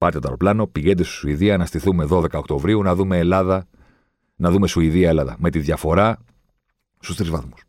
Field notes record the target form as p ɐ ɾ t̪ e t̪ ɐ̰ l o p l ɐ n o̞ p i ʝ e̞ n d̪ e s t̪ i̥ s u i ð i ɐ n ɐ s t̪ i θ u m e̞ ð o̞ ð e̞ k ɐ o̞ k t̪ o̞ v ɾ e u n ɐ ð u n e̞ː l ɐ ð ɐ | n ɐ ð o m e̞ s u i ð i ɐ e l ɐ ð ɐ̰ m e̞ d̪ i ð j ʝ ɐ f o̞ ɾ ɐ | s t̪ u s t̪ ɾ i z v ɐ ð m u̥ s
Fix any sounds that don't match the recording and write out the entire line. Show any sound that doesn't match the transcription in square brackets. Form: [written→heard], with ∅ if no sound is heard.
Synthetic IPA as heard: p ɐ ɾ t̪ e t̪ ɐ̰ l o p l ɐ n o̞ p i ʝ e̞ n d̪ e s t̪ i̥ s u i ð i ɐ n ɐ s t̪ i θ u m e̞ ð o̞ ð e̞ k ɐ o̞ k t̪ o̞ v ɾ [e→i] u n ɐ ð u [n→m] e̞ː l ɐ ð ɐ | n ɐ ð [o→u] m e̞ s u i ð i ɐ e l ɐ ð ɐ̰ m e̞ [d̪→t̪] i ð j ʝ ɐ f o̞ ɾ ɐ | s t̪ u s t̪ ɾ i z v ɐ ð m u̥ s